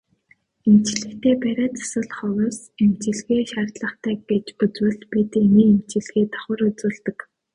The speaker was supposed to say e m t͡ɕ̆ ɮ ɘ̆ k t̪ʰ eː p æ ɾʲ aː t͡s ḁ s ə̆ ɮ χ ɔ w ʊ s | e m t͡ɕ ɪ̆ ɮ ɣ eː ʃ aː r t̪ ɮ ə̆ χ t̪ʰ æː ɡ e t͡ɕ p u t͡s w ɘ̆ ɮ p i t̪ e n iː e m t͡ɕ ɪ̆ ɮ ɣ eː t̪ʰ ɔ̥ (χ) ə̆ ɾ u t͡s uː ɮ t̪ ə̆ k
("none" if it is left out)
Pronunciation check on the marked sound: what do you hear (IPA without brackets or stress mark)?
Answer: χ